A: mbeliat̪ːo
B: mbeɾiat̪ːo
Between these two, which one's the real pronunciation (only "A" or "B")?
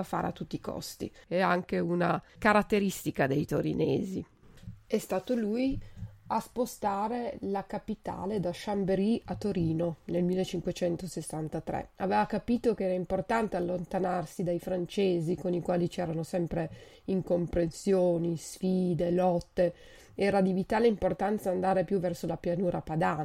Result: B